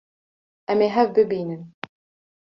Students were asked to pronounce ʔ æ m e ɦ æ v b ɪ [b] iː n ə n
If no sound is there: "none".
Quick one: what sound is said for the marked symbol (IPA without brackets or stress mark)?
b